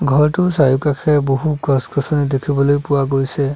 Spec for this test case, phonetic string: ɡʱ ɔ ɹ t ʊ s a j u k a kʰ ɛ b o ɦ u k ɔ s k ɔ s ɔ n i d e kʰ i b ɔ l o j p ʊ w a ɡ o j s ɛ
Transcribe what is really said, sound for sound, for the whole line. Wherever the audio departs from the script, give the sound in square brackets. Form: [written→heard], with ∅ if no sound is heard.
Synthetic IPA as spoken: ɡʱ ɔ ɹ t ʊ s a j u k a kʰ ɛ b o ɦ u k ɔ s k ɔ s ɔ n i d e kʰ i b ɔ l o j p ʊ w a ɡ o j s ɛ